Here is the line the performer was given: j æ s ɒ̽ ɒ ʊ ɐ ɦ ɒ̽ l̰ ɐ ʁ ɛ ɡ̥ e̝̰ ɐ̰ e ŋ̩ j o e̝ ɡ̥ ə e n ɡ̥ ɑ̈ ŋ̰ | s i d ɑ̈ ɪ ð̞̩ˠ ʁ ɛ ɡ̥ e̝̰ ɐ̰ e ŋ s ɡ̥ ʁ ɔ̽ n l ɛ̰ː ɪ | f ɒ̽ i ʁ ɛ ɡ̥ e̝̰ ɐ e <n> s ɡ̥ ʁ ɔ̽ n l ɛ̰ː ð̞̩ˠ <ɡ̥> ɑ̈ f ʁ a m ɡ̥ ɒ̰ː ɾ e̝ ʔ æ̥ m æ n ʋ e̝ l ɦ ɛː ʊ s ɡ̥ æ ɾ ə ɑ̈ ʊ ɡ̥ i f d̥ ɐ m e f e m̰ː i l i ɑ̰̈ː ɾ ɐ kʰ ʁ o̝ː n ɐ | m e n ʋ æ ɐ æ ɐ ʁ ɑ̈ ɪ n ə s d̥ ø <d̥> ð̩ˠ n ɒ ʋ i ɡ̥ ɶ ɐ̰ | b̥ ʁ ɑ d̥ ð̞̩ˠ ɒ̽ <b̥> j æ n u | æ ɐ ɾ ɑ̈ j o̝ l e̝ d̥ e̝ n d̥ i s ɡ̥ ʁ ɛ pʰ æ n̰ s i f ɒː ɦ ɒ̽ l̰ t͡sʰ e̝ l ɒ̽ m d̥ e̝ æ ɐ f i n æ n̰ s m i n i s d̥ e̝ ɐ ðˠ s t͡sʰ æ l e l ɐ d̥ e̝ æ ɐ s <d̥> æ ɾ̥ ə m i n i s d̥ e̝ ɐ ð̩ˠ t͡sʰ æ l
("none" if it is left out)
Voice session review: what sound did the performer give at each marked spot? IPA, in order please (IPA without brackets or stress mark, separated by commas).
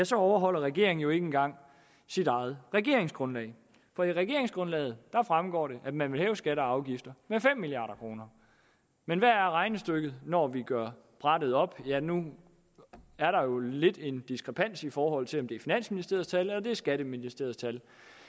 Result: ŋ, d̥, ɡ̥, b̥, ɡ̥